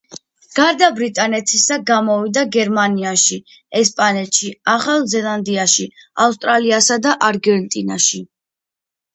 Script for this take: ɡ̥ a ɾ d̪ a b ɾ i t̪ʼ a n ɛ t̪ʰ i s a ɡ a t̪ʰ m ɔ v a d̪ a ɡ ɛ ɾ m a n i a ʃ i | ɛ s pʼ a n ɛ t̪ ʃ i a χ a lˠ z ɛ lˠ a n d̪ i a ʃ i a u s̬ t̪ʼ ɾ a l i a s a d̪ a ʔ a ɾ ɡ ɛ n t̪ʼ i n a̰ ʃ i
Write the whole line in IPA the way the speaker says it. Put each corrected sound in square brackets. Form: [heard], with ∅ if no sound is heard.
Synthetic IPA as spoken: ɡ̥ a ɾ d̪ a b ɾ i t̪ʼ a n ɛ t̪ʰ i s a ɡ a [∅] m ɔ v [i] d̪ a ɡ ɛ ɾ m a n i a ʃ i | ɛ s pʼ a n ɛ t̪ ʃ i a χ a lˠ z ɛ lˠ a n d̪ i a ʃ i a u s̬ t̪ʼ ɾ a l i a s a d̪ a ʔ a ɾ ɡ ɛ n t̪ʼ i n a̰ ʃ i